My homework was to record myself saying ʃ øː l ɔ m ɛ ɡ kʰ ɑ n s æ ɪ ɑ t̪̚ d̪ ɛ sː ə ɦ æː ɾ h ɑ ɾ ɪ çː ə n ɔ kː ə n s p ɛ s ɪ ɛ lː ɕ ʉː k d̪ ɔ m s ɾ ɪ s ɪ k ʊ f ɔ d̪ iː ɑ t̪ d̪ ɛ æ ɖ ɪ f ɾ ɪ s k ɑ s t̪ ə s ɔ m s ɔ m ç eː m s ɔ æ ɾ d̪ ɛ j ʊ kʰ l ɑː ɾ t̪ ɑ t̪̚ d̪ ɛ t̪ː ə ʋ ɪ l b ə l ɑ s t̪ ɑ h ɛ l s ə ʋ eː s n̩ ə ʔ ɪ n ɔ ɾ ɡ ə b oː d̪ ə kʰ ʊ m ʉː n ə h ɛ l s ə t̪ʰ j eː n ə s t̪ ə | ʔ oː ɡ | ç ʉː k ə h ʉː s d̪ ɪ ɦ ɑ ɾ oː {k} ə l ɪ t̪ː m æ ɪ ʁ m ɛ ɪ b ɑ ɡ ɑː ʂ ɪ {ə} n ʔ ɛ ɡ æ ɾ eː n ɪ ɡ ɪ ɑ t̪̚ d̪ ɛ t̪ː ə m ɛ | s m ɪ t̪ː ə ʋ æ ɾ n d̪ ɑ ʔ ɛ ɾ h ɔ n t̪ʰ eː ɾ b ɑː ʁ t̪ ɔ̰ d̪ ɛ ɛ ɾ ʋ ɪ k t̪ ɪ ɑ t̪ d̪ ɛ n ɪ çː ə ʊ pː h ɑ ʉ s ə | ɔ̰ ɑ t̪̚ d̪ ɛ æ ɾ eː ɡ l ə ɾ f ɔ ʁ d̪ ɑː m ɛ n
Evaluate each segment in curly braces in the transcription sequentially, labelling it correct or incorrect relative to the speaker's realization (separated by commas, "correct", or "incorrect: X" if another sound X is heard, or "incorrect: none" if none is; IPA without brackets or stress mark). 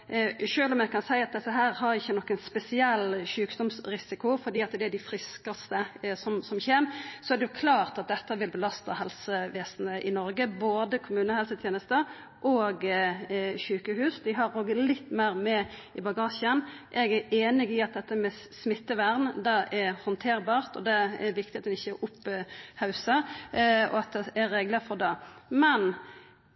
incorrect: ɡ, correct